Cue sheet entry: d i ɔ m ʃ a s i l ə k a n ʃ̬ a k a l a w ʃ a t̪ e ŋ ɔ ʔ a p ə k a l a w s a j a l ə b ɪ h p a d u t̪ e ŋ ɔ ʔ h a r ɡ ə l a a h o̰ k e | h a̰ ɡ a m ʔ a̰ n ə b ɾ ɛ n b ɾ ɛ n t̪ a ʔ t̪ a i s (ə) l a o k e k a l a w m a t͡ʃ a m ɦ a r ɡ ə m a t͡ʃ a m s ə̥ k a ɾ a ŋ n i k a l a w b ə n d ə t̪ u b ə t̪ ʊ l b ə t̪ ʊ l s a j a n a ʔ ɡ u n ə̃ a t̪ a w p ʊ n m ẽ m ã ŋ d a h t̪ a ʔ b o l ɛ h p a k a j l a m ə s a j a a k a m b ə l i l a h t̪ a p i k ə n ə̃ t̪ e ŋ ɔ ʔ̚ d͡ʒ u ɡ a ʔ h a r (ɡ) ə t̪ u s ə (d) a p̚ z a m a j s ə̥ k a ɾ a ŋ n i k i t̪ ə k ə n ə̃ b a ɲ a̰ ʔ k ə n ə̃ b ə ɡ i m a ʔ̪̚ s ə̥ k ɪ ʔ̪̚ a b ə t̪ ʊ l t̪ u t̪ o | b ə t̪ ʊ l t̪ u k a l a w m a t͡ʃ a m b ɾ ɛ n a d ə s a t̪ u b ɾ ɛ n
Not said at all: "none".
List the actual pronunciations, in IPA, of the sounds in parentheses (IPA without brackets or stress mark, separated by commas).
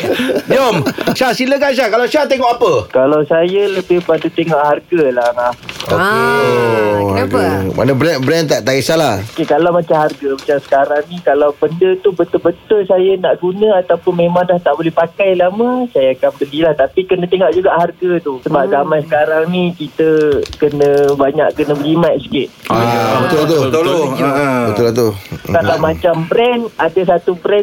a, ɡ, b